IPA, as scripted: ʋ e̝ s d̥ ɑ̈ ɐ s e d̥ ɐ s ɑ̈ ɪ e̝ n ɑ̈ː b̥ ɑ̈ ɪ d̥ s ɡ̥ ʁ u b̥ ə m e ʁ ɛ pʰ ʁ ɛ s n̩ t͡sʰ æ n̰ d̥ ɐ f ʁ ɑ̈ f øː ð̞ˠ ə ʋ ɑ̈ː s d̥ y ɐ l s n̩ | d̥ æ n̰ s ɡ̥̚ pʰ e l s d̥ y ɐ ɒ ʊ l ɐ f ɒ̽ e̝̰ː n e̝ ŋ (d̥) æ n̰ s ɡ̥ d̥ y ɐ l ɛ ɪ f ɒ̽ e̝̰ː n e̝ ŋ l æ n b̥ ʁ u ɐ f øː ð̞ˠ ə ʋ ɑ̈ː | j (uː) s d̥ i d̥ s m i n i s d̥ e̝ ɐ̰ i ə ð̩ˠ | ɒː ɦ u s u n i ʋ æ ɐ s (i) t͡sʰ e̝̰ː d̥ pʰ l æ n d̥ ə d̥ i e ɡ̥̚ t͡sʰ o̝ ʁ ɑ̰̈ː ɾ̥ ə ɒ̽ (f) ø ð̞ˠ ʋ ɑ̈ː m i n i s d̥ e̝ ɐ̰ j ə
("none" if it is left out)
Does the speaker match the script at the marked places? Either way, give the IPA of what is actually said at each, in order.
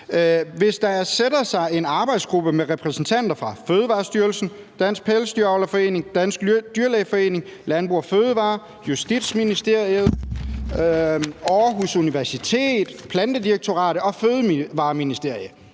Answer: d̥, u, i, f

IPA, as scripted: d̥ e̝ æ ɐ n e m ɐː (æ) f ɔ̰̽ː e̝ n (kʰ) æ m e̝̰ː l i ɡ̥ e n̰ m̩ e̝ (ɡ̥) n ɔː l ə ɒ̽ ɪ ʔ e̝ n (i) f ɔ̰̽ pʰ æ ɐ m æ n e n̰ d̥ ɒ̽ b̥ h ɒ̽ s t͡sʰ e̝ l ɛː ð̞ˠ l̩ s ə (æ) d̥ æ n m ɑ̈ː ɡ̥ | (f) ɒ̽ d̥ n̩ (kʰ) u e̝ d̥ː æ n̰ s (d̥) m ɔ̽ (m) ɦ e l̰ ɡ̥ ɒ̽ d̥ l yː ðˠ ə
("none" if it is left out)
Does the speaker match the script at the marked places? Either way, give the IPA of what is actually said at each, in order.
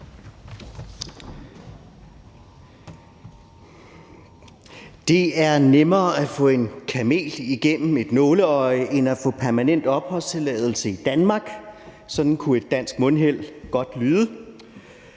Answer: æ, kʰ, d̥, æ, i, s, kʰ, ɡ̥, n

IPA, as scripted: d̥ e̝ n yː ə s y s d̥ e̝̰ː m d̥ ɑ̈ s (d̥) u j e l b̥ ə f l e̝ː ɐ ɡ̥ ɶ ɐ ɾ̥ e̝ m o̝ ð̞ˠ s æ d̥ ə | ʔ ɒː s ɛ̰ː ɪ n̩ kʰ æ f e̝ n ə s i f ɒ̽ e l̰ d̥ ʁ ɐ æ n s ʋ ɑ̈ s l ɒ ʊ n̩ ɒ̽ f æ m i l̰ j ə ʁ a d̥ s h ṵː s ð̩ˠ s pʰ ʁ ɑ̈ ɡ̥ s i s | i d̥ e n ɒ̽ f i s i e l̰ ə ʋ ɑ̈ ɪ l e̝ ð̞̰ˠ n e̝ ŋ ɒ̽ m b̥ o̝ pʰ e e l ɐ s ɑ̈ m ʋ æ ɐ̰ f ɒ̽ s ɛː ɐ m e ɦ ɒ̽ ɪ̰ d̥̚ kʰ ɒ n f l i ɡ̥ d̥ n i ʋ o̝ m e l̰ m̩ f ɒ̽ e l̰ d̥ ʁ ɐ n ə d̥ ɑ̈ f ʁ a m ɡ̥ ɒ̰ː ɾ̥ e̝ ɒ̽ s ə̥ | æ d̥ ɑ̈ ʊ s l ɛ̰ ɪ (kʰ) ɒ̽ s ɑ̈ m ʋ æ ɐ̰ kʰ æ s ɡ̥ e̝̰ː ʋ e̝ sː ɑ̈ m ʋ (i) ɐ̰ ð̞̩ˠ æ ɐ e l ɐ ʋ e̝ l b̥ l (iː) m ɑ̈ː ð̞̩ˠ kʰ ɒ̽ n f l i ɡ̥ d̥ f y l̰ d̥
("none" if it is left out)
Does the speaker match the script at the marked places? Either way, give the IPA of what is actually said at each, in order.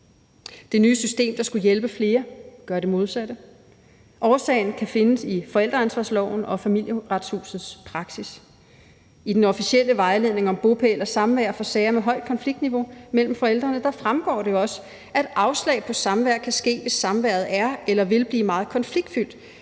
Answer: ɡ̥, pʰ, æ, iː

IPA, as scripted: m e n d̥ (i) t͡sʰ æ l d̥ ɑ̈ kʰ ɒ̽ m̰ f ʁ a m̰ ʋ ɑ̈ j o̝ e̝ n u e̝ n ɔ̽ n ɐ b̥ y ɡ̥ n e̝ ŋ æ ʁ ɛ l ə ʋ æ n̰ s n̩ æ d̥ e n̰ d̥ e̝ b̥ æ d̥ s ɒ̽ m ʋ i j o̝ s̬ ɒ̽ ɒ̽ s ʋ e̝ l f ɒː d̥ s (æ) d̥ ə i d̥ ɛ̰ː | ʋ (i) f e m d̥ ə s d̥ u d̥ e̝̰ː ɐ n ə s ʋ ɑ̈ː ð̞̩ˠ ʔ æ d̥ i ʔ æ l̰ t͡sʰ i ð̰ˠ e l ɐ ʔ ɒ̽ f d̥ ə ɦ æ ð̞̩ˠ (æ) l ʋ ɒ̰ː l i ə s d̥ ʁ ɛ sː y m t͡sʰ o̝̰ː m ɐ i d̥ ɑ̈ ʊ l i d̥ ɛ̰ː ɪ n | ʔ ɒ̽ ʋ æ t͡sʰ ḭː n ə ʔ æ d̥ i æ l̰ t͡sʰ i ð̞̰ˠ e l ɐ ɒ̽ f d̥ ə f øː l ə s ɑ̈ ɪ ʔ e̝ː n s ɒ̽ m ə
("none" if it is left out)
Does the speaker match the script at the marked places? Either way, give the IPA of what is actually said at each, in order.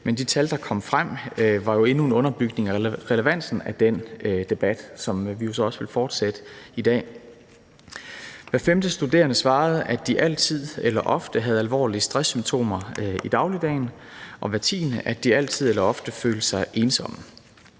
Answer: i, e, æ, æ

